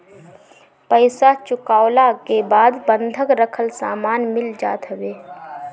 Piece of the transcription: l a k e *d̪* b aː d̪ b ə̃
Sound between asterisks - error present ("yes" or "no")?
yes